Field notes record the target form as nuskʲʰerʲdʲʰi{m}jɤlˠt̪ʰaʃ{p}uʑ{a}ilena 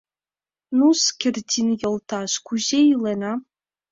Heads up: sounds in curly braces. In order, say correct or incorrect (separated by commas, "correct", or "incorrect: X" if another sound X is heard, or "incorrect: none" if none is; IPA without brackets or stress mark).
incorrect: n, incorrect: k, incorrect: e